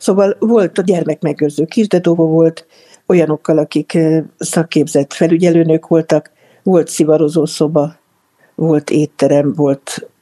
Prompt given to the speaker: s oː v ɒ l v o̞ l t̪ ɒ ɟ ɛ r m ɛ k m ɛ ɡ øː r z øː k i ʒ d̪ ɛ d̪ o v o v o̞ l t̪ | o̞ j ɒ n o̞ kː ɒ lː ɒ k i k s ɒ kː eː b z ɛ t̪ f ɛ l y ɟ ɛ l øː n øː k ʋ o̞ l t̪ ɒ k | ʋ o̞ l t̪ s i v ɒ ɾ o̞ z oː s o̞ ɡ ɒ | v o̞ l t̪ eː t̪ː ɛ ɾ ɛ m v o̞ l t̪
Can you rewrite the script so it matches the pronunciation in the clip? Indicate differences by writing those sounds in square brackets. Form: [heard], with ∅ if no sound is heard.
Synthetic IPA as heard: s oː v ɒ l v o̞ l t̪ ɒ ɟ ɛ r m ɛ k m ɛ ɡ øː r z øː k i ʒ d̪ ɛ d̪ o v o v o̞ l t̪ | o̞ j ɒ n o̞ kː ɒ [l] ɒ k i k s ɒ kː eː b z ɛ t̪ f ɛ l y ɟ ɛ l øː n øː k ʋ o̞ l t̪ ɒ k | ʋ o̞ l t̪ s i v ɒ ɾ o̞ z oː s o̞ [b] ɒ | v o̞ l t̪ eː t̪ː ɛ ɾ ɛ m v o̞ l t̪